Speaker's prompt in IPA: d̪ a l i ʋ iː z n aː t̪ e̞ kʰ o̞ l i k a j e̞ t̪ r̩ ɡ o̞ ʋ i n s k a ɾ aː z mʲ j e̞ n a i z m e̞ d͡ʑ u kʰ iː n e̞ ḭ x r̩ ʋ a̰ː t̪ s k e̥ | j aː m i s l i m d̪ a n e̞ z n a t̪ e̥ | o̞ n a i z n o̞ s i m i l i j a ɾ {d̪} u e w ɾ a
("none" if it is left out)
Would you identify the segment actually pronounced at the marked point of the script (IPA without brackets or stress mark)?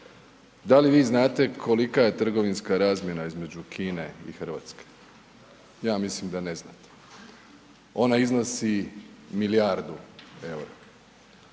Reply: d̪